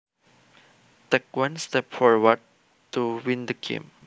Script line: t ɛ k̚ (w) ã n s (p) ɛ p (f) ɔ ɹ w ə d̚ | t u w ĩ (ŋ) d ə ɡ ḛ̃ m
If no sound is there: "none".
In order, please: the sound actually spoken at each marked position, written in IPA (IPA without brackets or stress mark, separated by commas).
w, t, f, n